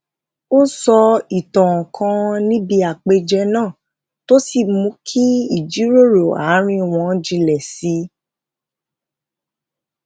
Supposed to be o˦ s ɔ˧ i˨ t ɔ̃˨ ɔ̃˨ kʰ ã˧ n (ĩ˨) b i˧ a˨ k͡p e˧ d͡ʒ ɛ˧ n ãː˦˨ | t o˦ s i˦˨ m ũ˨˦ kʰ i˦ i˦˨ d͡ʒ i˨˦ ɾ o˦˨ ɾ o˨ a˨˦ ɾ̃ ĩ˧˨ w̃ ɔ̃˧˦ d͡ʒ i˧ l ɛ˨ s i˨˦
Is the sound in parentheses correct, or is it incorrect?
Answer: incorrect